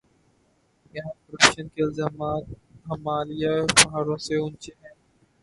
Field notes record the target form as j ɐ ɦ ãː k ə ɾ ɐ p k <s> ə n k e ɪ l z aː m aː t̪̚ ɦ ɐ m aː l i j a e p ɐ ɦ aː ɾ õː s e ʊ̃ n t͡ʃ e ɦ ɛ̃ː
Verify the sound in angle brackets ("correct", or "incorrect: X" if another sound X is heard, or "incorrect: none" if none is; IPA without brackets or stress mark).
incorrect: ʃ